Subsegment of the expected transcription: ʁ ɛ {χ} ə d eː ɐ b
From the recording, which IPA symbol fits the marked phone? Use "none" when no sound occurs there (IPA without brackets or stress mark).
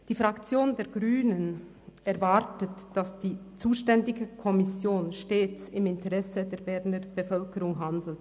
s